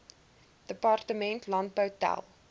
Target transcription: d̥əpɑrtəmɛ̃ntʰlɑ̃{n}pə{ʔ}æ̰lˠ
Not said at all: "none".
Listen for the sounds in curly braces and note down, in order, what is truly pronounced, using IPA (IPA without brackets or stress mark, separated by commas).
n, t